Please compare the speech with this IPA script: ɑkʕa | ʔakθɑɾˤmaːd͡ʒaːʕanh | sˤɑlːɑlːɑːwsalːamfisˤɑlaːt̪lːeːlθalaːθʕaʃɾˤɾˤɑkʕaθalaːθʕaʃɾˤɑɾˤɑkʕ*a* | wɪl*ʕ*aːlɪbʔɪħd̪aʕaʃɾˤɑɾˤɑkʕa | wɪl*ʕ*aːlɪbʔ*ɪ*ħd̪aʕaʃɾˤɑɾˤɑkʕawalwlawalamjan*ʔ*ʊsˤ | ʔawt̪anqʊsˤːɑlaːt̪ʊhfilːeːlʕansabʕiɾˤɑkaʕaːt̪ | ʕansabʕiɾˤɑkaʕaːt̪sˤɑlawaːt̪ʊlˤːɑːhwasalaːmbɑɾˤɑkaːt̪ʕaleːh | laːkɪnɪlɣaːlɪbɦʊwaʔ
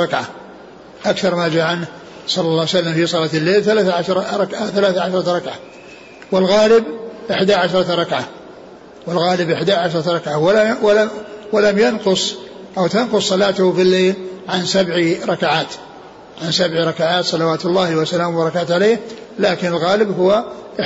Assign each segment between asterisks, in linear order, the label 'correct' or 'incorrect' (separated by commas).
correct, incorrect, incorrect, correct, incorrect